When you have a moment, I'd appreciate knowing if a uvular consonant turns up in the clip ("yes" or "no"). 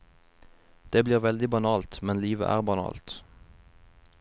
yes